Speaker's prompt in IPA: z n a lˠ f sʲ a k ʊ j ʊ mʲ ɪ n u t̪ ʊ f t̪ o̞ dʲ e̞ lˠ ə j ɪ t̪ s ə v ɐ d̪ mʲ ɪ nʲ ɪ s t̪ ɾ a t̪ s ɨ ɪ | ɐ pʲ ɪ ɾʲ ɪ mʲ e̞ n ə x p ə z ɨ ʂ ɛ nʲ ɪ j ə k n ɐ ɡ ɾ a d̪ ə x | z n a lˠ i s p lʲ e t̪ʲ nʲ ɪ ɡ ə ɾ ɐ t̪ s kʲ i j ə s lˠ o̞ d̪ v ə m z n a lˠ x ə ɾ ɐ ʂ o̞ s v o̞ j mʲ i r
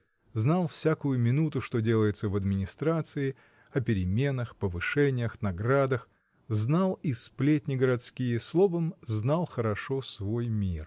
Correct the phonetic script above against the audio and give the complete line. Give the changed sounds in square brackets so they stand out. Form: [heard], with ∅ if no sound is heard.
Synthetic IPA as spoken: z n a lˠ f sʲ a k ʊ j ʊ mʲ ɪ n u t̪ ʊ [ʂ] t̪ o̞ dʲ e̞ lˠ ə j ɪ t̪ s ə v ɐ d̪ mʲ ɪ nʲ ɪ s t̪ ɾ a t̪ s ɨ ɪ | ɐ pʲ ɪ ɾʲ ɪ mʲ e̞ n ə x p ə [v] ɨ ʂ ɛ nʲ ɪ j ə [x] n ɐ ɡ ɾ a d̪ ə x | z n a lˠ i s p lʲ e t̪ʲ nʲ ɪ ɡ ə ɾ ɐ t̪ s kʲ i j ə s lˠ o̞ [∅] v ə m z n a lˠ x ə ɾ ɐ ʂ o̞ s v o̞ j mʲ i r

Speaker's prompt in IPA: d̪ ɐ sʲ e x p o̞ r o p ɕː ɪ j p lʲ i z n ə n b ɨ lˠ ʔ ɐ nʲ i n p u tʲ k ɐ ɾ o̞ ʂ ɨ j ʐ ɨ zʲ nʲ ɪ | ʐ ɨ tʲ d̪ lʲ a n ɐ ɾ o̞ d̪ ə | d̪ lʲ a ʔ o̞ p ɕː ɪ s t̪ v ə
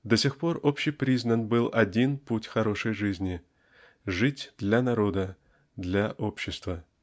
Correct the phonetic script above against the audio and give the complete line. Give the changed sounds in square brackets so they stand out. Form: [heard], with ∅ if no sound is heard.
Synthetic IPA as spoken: d̪ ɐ sʲ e x p o̞ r o p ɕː ɪ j p [ɾʲ] i z n ə n b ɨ lˠ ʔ ɐ [dʲ] i n p u tʲ [x] ɐ ɾ o̞ ʂ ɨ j ʐ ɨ zʲ nʲ ɪ | ʐ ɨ tʲ d̪ lʲ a n ɐ ɾ o̞ d̪ ə | d̪ lʲ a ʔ o̞ p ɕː ɪ s t̪ v ə

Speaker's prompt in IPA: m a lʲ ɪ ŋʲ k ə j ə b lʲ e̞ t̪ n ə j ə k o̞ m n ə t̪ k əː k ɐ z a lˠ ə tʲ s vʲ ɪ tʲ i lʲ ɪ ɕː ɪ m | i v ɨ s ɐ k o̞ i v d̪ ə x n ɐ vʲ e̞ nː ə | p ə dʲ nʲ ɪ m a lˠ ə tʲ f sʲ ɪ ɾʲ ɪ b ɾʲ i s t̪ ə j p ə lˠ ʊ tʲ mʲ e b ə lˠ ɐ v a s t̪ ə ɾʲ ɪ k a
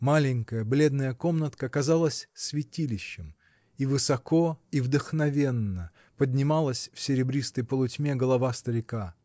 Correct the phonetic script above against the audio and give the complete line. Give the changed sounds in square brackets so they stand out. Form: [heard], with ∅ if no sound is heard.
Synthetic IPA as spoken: m a lʲ ɪ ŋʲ k ə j ə b lʲ e̞ [d̪] n ə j ə k o̞ m n ə t̪ k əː k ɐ z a lˠ ə [sʲ] s vʲ ɪ tʲ i lʲ ɪ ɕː ɪ m | i v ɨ s ɐ k o̞ i v d̪ ə x n ɐ vʲ e̞ nː ə | p ə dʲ nʲ ɪ m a lˠ ə [sʲ] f sʲ ɪ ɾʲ ɪ b ɾʲ i s t̪ ə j p ə lˠ ʊ tʲ mʲ e [ɡ] ə lˠ ɐ v a s t̪ ə ɾʲ ɪ k a

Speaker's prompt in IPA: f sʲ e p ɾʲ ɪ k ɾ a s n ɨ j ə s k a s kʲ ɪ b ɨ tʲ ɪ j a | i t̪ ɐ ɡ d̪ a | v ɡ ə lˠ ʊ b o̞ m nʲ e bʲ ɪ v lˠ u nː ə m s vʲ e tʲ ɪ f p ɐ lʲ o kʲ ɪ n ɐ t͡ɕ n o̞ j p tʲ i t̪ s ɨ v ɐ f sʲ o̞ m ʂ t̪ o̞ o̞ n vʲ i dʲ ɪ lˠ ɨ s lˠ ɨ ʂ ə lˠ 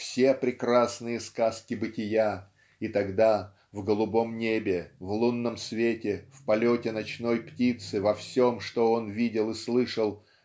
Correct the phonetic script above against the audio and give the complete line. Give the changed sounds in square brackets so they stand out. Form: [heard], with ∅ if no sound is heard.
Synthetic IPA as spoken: f sʲ e p ɾʲ ɪ k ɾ a s n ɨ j ə s k a s kʲ ɪ b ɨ tʲ ɪ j a | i t̪ ɐ ɡ d̪ a | v ɡ ə lˠ ʊ b o̞ m nʲ e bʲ ɪ v lˠ u nː ə m s vʲ e tʲ ɪ f p ɐ lʲ o [tʲ] ɪ n ɐ t͡ɕ n o̞ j p tʲ i t̪ s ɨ v ɐ f sʲ o̞ m ʂ t̪ o̞ o̞ n vʲ i dʲ ɪ lˠ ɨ s lˠ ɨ ʂ ə lˠ

